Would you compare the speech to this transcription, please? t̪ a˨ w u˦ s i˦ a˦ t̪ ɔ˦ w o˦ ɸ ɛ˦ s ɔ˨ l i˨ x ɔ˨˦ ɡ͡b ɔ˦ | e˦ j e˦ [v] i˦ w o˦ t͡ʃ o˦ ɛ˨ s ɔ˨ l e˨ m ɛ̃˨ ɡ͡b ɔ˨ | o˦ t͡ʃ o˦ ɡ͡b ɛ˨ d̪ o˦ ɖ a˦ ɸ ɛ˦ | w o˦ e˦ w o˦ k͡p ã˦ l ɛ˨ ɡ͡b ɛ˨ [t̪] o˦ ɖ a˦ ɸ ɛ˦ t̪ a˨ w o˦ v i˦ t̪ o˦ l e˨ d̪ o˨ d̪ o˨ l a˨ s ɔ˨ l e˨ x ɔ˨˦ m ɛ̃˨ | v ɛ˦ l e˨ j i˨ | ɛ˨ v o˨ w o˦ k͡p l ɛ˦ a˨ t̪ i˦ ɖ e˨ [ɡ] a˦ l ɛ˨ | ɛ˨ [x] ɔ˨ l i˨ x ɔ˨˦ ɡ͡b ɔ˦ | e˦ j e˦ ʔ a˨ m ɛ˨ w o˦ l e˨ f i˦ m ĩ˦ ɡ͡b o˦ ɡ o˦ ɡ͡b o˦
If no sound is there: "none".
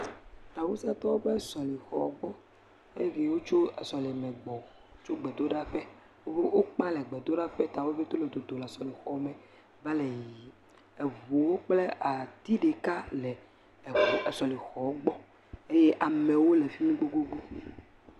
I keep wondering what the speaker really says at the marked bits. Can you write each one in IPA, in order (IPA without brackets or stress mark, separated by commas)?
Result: v, d̪, k, s